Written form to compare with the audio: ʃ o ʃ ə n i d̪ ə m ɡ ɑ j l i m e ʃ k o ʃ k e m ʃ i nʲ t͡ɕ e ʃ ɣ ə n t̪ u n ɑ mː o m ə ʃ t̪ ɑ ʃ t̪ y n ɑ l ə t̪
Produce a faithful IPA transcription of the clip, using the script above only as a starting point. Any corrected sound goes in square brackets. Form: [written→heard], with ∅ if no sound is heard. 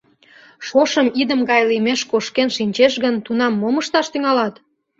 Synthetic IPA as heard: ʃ o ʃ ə [n→m] i d̪ ə m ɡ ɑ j l i m e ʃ k o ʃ k e [m→n] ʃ i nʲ t͡ɕ e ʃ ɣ ə n t̪ u n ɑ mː o m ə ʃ t̪ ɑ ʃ t̪ y [n→ŋ] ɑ l [ə→ɑ] t̪